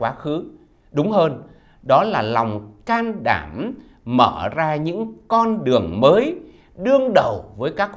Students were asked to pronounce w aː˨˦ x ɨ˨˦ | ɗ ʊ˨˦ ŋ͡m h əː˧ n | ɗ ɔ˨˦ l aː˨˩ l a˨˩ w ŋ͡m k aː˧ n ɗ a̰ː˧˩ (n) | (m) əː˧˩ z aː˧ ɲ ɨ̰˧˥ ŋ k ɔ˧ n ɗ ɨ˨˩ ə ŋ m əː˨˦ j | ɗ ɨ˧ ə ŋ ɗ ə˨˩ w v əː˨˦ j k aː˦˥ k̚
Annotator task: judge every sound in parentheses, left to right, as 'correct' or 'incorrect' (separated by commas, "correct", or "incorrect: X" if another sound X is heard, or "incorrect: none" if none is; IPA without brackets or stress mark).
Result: incorrect: m, correct